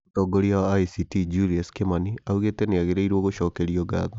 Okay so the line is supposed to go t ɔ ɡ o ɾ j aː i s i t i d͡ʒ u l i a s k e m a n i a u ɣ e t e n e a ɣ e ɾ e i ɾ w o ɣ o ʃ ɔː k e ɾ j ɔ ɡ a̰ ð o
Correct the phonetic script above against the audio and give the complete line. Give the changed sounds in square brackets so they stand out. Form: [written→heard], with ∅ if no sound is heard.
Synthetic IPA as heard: t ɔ ɡ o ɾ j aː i s i t i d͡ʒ u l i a s k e m a n i a u ɣ e t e n e a ɣ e ɾ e i ɾ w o ɣ o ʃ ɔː k e ɾ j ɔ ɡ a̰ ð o